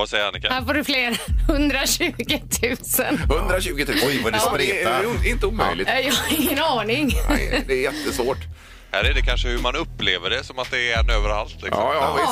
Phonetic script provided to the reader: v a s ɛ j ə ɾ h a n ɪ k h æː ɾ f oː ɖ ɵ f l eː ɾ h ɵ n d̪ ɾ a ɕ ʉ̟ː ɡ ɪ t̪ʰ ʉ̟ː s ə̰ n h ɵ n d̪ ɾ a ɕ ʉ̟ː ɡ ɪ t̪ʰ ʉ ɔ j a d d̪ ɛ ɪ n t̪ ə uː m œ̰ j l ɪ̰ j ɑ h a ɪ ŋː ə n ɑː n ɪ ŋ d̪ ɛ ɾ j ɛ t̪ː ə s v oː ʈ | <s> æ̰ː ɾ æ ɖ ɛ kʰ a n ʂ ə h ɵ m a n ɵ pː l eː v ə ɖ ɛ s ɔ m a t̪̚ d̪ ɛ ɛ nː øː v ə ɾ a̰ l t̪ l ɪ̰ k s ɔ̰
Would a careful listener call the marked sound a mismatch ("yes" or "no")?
yes